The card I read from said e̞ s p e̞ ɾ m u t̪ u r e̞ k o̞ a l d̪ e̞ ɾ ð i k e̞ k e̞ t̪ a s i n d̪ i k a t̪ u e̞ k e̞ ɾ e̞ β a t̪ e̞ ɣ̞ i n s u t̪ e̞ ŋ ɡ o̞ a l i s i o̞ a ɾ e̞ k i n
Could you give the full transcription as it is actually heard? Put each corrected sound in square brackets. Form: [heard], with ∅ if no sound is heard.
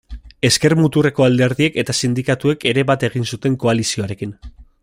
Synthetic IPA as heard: e̞ s [k] e̞ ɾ m u t̪ u r e̞ k o̞ a l d̪ e̞ ɾ ð i [∅] e̞ k e̞ t̪ a s i n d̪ i k a t̪ u e̞ k e̞ ɾ e̞ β a t̪ e̞ ɣ̞ i n s u t̪ e̞ ŋ [k] o̞ a l i s i o̞ a ɾ e̞ k i n